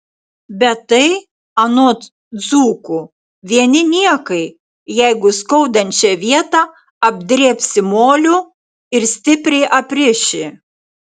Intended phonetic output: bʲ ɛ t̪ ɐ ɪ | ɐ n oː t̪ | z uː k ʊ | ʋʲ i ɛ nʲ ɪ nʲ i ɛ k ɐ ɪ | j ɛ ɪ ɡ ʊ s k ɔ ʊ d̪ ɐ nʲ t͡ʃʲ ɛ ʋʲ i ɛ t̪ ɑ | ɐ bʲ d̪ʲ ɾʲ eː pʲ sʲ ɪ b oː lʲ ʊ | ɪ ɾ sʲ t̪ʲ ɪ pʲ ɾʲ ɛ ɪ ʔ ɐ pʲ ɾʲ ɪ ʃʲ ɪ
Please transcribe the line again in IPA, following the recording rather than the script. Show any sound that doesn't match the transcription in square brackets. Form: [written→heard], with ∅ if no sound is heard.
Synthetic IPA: bʲ ɛ t̪ ɐ ɪ | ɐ n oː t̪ | z uː k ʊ | ʋʲ i ɛ nʲ ɪ nʲ i ɛ k ɐ ɪ | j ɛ ɪ ɡ ʊ s k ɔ ʊ d̪ ɐ nʲ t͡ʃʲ ɛ ʋʲ i ɛ t̪ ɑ | ɐ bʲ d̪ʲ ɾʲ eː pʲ sʲ ɪ [b→m] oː lʲ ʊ | ɪ ɾ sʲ t̪ʲ ɪ pʲ ɾʲ ɛ ɪ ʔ ɐ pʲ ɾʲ ɪ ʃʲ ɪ